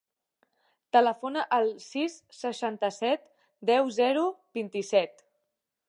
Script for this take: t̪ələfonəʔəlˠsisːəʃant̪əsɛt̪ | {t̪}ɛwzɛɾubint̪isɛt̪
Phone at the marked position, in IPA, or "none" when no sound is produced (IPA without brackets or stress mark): d̪